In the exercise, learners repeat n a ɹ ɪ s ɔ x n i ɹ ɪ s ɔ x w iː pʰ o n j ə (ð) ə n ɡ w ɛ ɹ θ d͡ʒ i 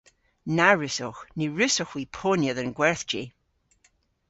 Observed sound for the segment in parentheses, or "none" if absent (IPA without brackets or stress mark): ð